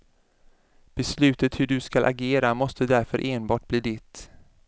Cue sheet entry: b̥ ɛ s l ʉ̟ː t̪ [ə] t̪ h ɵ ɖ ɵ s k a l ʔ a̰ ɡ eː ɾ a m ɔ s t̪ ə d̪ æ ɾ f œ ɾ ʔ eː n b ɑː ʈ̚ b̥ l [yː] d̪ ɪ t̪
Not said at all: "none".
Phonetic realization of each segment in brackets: ə, iː

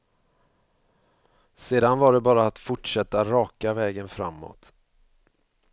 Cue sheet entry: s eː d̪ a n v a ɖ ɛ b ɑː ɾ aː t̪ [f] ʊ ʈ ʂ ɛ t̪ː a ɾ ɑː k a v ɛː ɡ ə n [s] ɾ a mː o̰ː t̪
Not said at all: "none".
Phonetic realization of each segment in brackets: f, f

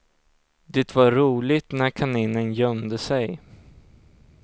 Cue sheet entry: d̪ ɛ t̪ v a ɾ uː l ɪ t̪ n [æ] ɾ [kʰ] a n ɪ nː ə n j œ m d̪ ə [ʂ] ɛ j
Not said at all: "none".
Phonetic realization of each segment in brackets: æ, kʰ, s

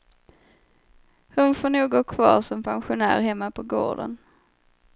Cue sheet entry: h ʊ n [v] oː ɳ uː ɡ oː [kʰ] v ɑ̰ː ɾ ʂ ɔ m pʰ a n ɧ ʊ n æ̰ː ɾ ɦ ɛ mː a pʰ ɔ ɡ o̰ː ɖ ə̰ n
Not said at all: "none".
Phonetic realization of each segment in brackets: f, kʰ

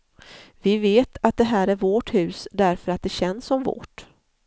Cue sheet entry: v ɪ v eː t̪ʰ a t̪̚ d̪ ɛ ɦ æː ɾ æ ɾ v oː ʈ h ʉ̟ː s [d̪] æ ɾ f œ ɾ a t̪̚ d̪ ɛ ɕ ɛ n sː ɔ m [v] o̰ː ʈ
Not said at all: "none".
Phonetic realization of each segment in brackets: d̪, v

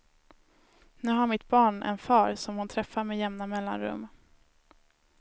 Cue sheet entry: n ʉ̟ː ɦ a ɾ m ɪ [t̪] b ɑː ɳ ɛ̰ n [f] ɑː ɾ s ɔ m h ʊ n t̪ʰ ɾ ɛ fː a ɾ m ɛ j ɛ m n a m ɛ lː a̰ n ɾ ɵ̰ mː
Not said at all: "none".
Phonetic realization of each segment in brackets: t̪, f

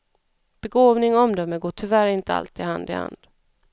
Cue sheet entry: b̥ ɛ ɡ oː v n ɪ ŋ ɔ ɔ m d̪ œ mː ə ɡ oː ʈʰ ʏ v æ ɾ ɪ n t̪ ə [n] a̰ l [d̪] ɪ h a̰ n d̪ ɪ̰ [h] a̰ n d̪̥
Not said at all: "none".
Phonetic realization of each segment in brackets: none, t̪, h

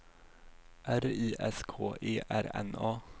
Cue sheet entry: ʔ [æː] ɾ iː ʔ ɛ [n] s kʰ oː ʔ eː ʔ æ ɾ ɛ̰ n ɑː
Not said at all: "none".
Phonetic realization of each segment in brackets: æ, none

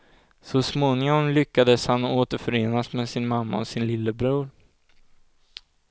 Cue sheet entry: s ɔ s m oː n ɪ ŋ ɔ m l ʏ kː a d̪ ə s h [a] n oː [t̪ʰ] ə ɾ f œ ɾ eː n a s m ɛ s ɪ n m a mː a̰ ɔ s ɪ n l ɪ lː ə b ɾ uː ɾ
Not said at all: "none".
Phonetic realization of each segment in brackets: a, t̪

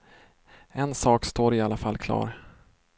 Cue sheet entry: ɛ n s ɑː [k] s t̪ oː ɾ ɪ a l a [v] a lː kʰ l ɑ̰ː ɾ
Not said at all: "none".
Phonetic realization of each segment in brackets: k, f

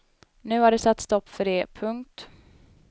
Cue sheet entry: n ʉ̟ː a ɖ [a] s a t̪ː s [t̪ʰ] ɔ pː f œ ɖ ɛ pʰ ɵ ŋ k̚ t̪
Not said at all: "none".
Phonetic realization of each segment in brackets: ɛ, t̪

